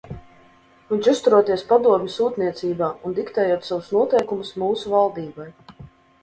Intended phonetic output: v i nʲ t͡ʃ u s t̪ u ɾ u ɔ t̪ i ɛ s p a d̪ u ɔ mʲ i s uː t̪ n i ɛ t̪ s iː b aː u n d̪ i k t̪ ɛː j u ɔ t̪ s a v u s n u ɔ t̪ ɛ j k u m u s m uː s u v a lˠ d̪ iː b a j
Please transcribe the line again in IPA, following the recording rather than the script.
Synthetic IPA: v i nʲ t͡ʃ u s t̪ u ɾ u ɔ t̪ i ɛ s p a d̪ u ɔ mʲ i s uː t̪ n i ɛ t̪ s iː b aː u n d̪ i k t̪ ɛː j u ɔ t̪ s a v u s n u ɔ t̪ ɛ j k u m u s m uː s u v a lˠ d̪ iː b a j

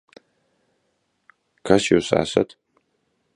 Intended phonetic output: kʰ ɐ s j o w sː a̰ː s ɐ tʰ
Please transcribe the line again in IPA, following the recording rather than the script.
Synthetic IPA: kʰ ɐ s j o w s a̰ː s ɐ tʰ

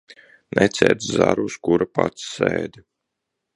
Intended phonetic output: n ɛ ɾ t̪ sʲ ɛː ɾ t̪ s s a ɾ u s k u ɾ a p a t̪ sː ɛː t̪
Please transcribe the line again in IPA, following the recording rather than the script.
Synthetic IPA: n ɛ t̪ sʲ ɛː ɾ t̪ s z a ɾ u s k u ɾ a p a t̪ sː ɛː d̪

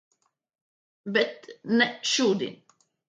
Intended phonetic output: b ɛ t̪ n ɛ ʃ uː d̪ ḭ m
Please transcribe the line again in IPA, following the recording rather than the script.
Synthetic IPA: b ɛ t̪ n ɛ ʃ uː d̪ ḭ n

